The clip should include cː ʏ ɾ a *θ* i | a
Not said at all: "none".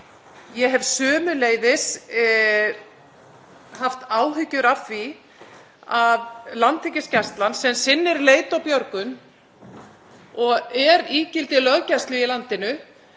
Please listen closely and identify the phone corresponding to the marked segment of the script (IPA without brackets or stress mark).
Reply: f